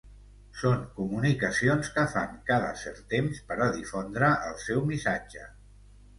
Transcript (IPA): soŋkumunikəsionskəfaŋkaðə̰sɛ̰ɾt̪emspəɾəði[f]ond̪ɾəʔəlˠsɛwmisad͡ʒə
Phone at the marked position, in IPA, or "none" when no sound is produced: f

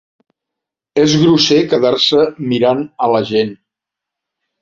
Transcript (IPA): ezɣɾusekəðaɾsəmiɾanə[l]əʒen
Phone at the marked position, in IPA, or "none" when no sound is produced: l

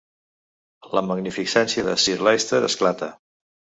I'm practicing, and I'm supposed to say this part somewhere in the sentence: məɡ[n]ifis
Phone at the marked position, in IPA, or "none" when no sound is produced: n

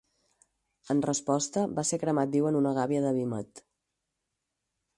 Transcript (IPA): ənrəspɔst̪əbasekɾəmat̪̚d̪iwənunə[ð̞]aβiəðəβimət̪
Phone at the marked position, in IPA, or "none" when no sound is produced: ɣ̞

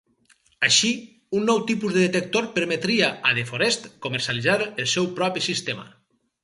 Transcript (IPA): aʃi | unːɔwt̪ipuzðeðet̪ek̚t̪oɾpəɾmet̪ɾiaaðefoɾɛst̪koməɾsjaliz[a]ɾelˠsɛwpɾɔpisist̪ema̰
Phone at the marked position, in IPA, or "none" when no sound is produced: a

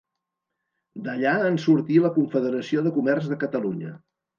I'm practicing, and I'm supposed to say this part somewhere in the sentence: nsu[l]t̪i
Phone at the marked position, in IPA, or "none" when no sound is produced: ɾ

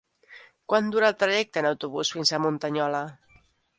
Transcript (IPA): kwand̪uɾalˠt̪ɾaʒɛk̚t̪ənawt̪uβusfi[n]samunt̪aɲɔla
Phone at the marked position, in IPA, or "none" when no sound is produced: n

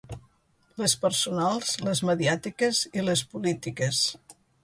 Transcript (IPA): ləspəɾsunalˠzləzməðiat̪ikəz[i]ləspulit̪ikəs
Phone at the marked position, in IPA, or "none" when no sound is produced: i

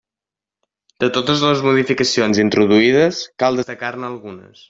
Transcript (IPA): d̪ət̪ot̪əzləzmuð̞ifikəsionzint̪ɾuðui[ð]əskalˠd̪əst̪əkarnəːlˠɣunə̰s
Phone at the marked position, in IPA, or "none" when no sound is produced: ð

